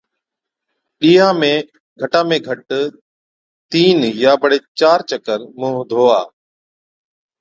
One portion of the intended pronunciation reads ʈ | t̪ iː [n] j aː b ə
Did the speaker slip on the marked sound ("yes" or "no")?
no